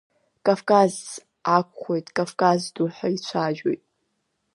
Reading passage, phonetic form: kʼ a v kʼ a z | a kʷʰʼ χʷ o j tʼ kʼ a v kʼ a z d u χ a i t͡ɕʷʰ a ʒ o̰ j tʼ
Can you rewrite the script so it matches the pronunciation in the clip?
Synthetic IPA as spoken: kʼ a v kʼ a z | a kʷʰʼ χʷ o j tʼ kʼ a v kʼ a z d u ħ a i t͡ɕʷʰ a ʒ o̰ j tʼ